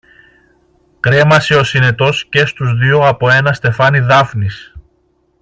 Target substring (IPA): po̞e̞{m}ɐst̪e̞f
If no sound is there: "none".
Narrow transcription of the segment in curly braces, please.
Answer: n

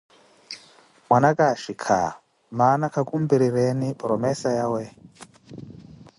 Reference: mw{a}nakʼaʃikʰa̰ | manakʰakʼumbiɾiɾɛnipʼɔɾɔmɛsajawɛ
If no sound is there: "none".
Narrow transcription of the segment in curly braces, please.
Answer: a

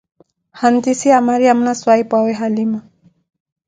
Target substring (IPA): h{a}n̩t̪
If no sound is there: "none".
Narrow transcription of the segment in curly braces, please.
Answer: a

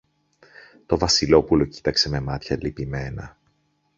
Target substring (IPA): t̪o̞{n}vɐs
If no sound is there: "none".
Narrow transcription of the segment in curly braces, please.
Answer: none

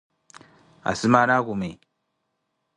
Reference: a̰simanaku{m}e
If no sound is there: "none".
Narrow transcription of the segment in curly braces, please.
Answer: m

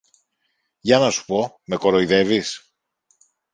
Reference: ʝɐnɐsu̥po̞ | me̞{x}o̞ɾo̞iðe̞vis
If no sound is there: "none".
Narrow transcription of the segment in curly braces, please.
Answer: k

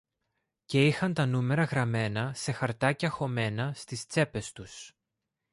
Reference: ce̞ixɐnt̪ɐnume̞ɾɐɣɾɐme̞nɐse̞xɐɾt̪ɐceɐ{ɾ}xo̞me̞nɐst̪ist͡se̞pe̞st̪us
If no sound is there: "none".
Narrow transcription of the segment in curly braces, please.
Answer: none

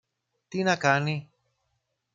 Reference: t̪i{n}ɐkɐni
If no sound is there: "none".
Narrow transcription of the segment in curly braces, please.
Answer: n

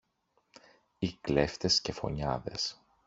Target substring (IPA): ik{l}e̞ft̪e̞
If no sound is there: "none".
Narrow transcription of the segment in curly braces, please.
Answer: l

